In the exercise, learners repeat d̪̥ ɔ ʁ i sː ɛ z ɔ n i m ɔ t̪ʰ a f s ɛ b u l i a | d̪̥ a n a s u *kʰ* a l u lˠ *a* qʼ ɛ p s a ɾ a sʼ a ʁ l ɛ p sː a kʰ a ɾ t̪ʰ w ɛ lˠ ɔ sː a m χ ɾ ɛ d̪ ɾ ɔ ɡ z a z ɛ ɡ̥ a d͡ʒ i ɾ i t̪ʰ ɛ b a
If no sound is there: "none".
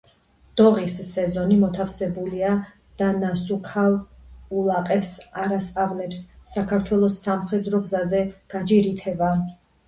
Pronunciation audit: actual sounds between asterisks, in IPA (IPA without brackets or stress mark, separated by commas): kʰ, a